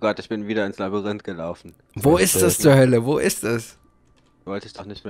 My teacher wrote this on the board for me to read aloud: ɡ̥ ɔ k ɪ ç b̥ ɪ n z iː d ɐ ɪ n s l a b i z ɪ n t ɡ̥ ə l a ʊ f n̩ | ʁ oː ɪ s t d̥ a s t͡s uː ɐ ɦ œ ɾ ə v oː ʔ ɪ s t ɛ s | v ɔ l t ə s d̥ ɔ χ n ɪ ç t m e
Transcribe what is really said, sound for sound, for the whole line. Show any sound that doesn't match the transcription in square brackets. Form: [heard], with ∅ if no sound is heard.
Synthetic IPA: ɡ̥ ɔ [t] ɪ ç b̥ ɪ n [v] iː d ɐ ɪ n s l a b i [ʁ] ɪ n t ɡ̥ ə l a ʊ f n̩ | [v] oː ɪ s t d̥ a s t͡s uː ɐ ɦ œ [l] ə v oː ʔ ɪ s t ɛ s | v ɔ l t ə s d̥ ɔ χ n ɪ ç t m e

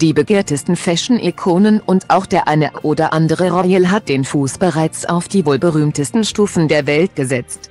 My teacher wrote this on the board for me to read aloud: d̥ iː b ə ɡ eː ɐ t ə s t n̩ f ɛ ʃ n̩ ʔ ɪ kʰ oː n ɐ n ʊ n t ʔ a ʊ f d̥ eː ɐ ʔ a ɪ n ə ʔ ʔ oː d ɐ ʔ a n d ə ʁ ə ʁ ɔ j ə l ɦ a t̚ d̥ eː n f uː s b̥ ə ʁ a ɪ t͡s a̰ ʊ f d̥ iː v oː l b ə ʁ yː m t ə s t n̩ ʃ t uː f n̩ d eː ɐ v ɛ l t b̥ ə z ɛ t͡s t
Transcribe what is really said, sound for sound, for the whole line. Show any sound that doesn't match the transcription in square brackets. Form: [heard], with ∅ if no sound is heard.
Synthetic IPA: d̥ iː b ə ɡ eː ɐ t ə s t n̩ f ɛ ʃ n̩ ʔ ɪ kʰ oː n [ə] n ʊ n t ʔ a ʊ [x] d̥ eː ɐ ʔ a ɪ n ə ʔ ʔ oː d ɐ ʔ a n d ə ʁ ə ʁ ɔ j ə l ɦ a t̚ d̥ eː n f uː s b̥ ə ʁ a ɪ t͡s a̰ ʊ f d̥ iː v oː l b ə ʁ yː m t ə s t n̩ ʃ t uː f n̩ d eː ɐ v ɛ l t [ɡ̥] ə z ɛ t͡s t

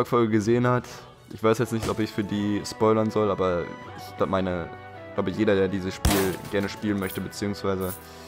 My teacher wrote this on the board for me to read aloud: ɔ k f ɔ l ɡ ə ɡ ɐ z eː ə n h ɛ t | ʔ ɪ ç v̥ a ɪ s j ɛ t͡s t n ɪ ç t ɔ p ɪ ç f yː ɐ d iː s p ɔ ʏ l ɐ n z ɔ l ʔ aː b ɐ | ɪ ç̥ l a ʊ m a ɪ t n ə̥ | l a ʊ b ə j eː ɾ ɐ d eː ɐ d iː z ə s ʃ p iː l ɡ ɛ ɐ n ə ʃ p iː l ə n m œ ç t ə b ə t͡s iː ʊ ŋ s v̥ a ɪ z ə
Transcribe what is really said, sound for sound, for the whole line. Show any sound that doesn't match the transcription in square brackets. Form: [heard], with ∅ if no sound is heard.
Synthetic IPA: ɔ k f ɔ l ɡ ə ɡ [ə] z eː ə n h [a] t | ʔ ɪ ç v̥ a ɪ s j ɛ t͡s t n ɪ ç t ɔ p ɪ ç f yː ɐ d iː s p ɔ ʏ l ɐ n z ɔ l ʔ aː b ɐ | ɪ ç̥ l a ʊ m a ɪ [∅] n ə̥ | l a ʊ b ə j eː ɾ ɐ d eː ɐ d iː z ə s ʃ p iː l ɡ ɛ ɐ n ə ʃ p iː l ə n m œ ç t ə b ə t͡s iː ʊ ŋ s v̥ a ɪ z ə

